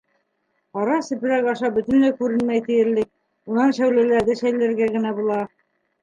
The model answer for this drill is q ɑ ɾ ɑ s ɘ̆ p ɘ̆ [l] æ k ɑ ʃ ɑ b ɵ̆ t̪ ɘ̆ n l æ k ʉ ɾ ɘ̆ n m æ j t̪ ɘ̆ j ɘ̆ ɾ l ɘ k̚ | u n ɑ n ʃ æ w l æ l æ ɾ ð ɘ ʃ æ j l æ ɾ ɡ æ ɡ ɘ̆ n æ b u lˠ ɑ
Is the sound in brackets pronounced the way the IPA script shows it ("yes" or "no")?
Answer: no